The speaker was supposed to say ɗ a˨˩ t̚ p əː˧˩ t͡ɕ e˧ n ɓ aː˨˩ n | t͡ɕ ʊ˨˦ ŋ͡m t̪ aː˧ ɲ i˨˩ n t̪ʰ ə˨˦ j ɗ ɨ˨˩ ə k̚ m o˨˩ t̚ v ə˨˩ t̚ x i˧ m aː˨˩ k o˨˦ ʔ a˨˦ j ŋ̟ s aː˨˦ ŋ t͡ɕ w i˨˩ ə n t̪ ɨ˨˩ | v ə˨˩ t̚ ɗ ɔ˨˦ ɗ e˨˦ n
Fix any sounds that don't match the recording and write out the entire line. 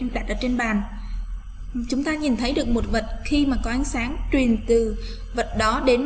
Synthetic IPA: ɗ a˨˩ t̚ ʔ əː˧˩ t͡ɕ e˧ n ɓ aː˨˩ n | t͡ɕ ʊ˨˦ ŋ͡m t̪ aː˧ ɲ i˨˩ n t̪ʰ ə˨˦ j ɗ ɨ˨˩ ə k̚ m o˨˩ t̚ v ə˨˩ t̚ x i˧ m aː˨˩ k ɔ˨˦ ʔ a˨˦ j ŋ̟ s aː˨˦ ŋ t͡ɕ w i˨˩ ə n t̪ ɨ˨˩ | v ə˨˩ t̚ ɗ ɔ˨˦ ɗ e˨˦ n